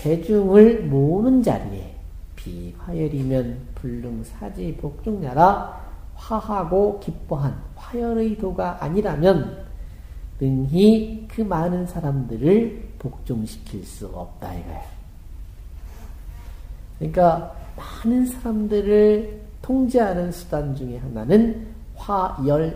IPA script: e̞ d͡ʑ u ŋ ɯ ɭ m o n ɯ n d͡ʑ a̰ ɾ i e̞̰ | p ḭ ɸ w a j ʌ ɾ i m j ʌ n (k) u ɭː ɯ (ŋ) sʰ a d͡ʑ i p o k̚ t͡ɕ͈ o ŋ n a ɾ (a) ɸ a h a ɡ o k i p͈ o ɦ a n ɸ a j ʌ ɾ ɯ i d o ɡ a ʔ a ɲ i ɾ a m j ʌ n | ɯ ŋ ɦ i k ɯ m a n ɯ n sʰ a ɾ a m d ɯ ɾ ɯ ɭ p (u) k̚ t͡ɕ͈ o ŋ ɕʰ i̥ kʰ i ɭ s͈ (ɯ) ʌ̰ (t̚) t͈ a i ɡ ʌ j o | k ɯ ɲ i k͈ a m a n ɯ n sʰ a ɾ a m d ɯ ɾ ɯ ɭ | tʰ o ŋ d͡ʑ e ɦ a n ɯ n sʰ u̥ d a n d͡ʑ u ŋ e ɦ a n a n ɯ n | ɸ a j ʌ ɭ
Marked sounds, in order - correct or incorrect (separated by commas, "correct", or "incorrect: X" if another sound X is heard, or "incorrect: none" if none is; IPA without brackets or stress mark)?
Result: incorrect: p, correct, correct, incorrect: o, incorrect: u, incorrect: p̚